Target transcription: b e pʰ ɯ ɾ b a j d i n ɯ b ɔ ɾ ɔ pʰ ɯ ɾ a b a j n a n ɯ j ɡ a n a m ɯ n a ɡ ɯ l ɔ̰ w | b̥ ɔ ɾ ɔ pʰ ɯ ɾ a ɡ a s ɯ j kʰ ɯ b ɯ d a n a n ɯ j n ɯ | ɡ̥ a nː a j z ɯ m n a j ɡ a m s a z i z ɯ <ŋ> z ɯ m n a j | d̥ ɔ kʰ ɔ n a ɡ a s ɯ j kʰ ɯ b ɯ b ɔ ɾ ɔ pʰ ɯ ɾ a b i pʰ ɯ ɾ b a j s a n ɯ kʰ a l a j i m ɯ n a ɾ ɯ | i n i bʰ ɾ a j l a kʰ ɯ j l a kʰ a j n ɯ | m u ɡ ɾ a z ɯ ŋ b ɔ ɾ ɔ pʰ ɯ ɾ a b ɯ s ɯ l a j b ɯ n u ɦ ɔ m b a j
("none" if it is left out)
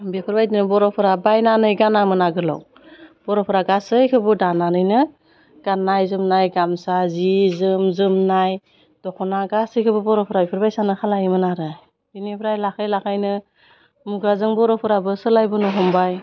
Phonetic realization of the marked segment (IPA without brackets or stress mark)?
m